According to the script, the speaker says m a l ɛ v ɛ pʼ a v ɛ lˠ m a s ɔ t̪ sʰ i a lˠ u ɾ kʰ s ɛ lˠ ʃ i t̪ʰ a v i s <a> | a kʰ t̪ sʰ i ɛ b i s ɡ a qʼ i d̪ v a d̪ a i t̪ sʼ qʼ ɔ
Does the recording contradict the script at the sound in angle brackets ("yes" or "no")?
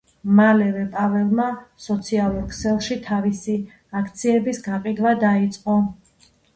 yes